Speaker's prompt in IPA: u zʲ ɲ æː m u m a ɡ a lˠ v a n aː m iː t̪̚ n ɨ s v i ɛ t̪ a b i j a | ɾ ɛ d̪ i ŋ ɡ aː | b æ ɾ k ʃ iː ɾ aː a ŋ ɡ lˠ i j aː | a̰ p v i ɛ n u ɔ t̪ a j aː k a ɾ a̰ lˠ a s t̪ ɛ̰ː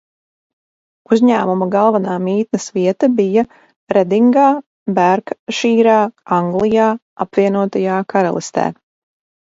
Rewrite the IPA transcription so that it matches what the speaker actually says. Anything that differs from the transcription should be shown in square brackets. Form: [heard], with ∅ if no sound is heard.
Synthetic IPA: u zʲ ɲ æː m u m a ɡ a lˠ v a n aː m iː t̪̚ n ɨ s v i ɛ t̪ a b i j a | ɾ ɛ d̪ i ŋ ɡ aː | b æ ɾ k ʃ iː ɾ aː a ŋ ɡ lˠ i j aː | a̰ p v i ɛ n u ɔ t̪ a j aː k a ɾ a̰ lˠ [i] s t̪ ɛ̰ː